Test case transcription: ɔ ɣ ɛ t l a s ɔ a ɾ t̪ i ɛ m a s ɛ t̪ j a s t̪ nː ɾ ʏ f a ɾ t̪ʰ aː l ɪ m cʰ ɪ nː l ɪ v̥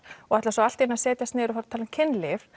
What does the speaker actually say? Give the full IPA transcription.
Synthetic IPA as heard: ɔ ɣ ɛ t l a s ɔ a l t̪ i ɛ n a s ɛː t̪ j a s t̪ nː ɾ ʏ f a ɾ t̪ʰ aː l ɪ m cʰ ɪ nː l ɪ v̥

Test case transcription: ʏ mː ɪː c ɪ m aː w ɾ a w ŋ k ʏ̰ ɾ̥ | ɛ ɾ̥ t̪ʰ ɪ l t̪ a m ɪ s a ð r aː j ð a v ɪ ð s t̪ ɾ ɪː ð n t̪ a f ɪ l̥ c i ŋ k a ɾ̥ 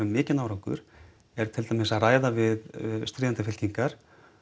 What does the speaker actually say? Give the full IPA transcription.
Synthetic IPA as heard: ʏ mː ɪː c ɪ n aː w ɾ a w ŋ k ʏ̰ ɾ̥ | ɛ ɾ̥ t̪ʰ ɪ l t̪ a m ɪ s a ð r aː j ð a v ɪ ð s t̪ ɾ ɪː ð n t̪ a f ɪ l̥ c i ŋ k a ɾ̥

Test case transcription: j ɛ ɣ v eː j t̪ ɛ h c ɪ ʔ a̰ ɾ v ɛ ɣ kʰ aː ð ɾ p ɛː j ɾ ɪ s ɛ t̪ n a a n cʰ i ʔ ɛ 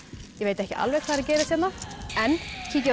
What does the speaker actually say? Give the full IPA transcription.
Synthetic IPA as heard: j ɛ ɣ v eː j t̪ ɛ h c ɪ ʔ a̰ l v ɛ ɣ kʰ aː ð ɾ c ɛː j ɾ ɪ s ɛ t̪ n a ɛ n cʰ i c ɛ

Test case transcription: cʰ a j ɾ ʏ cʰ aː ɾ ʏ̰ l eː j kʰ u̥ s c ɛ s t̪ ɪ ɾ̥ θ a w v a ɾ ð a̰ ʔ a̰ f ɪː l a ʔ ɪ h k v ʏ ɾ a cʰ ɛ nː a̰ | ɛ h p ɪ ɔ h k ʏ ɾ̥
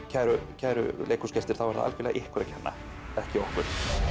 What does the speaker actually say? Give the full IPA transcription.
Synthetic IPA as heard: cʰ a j ɾ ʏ cʰ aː ɾ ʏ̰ l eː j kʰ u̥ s c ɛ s t̪ ɪ ɾ̥ θ a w v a ɾ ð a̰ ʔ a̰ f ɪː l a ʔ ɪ h k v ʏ ɾ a cʰ ɛ nː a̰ | ɛ h c ɪ ɔ h k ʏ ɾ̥

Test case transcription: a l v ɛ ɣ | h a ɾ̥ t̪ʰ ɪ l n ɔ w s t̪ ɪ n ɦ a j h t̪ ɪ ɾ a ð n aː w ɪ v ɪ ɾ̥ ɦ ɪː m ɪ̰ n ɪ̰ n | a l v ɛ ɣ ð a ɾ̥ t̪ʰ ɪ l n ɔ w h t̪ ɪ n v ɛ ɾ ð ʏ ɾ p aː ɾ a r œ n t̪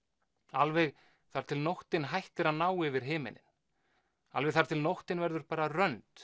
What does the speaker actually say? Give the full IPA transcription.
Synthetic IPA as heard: a l v ɛ ɣ | θ a ɾ̥ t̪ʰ ɪ l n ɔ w h t̪ ɪ n ɦ a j h t̪ ɪ ɾ a ð n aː w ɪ v ɪ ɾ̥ ɦ ɪː m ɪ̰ n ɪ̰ n | a l v ɛ ɣ θ a ɾ̥ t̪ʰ ɪ l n ɔ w h t̪ ɪ n v ɛ ɾ ð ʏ ɾ p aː ɾ a r œ n t̪

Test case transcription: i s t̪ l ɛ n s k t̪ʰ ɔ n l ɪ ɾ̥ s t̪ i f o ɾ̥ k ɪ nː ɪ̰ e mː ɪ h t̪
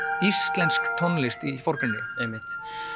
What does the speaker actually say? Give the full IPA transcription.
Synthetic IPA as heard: i s t̪ l ɛ n s k t̪ʰ ɔ n l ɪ s t̪ i f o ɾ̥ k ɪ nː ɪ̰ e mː ɪ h t̪

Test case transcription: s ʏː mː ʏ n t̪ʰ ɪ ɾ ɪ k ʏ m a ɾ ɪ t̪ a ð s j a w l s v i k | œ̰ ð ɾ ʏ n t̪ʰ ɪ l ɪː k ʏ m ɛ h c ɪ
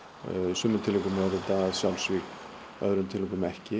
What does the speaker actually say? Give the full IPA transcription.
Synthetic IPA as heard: s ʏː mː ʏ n t̪ʰ ɪ l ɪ k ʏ m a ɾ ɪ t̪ a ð s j a w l s v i k | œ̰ ð ɾ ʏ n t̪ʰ ɪ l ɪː k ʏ m ɛ h c ɪ

